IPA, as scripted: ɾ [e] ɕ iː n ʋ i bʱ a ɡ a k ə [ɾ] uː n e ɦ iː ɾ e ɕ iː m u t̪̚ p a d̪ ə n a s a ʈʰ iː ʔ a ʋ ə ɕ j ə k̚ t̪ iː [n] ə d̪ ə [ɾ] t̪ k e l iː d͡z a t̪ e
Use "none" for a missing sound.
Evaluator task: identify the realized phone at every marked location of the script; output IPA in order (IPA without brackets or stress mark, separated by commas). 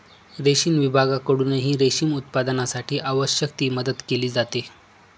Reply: e, ɽ, m, none